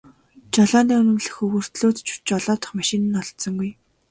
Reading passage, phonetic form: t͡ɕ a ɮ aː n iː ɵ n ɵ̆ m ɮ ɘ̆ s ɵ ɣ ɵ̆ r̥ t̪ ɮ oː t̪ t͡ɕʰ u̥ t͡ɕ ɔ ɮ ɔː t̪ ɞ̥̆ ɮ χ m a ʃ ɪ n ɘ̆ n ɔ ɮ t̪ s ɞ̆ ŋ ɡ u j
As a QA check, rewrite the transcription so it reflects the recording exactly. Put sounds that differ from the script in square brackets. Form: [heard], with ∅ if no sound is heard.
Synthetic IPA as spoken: t͡ɕ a ɮ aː n iː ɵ n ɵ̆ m ɮ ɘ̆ [x] ɵ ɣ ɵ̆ r̥ t̪ ɮ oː t̪ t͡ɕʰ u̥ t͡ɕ ɔ ɮ ɔː t̪ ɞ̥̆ [∅] χ m a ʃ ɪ n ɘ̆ n ɔ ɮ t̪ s ɞ̆ ŋ ɡ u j